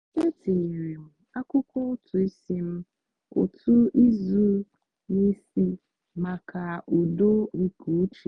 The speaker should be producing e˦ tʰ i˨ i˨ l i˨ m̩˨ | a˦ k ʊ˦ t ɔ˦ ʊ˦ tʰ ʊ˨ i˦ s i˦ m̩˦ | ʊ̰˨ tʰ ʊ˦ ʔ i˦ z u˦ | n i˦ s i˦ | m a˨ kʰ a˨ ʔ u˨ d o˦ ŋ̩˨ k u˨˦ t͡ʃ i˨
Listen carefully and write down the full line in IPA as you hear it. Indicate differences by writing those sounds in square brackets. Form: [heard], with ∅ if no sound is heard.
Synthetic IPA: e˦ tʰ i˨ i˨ [ɾ] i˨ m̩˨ | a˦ k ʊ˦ [k] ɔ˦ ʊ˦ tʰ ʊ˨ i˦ s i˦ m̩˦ | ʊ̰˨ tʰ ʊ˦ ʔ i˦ z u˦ | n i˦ s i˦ | m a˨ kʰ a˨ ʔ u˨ d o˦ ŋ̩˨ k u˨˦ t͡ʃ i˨